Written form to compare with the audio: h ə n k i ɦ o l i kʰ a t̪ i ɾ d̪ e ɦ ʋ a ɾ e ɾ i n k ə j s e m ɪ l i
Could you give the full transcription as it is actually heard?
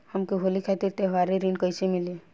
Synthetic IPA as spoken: h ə m k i ɦ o l i kʰ a t̪ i ɾ t̪ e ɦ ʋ a ɾ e ɾ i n k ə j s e m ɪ l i